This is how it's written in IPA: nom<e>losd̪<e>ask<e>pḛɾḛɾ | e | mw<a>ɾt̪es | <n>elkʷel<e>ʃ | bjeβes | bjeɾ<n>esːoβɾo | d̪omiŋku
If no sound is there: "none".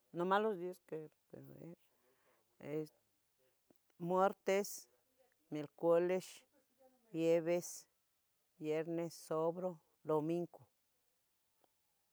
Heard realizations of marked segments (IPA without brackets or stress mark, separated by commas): a, i, e, e, m, e, n